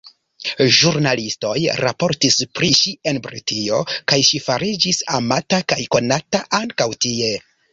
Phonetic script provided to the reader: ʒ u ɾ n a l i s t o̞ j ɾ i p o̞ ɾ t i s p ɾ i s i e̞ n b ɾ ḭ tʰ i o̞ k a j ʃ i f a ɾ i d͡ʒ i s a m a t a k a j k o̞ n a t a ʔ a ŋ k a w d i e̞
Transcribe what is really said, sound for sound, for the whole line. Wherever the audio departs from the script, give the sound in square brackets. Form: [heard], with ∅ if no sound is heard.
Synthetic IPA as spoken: ʒ u ɾ n a l i s t o̞ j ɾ [a] p o̞ ɾ t i s p ɾ i [ʃ] i e̞ n b ɾ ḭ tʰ i o̞ k a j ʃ i f a ɾ i d͡ʒ i s a m a t a k a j k o̞ n a t a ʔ a ŋ k a w [t] i e̞